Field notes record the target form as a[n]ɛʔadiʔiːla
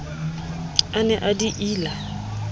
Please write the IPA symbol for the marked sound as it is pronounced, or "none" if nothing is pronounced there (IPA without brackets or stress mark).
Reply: n